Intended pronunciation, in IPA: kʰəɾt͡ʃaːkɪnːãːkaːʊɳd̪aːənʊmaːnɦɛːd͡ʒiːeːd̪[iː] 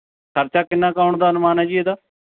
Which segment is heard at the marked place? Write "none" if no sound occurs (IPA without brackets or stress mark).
aː